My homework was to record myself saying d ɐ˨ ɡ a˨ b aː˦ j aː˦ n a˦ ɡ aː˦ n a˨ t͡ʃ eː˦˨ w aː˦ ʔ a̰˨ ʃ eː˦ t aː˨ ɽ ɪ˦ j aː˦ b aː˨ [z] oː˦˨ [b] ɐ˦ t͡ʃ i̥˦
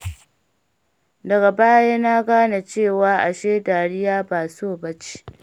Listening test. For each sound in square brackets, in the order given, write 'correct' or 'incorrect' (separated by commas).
incorrect, correct